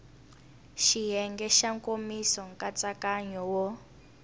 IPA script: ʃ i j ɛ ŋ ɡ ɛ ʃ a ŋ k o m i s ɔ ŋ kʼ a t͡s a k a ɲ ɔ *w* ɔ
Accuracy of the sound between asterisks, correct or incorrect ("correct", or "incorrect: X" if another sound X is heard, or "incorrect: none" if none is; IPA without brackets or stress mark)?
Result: correct